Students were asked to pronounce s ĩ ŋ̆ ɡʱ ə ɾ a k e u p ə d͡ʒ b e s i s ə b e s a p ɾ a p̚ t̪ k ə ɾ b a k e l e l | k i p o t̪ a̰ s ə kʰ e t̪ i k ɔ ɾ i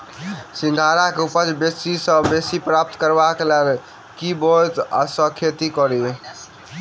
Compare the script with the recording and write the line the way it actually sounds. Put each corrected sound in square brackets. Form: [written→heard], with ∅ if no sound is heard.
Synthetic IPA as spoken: s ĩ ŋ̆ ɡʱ [ə→a] ɾ a k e u p ə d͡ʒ b e s i s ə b e s [a→i] p ɾ a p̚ t̪ k ə ɾ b a k e l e l | k i [p→b] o t̪ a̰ s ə kʰ e t̪ i k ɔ ɾ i